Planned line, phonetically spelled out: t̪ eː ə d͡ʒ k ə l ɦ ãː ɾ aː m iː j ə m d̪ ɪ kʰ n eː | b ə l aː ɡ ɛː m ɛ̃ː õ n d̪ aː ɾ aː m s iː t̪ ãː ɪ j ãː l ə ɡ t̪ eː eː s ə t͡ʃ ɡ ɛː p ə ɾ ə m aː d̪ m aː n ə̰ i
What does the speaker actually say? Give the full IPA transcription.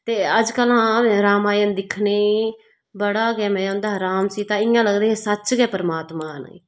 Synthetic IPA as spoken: t̪ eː ə d͡ʒ k ə l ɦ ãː ɾ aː m aː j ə n d̪ ɪ kʰ n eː | b ə ɽ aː ɡ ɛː m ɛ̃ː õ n d̪ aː ɾ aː m s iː t̪ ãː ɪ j ãː l ə ɡ d̪ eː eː s ə t͡ʃ ɡ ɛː p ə ɾ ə m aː t̪ m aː n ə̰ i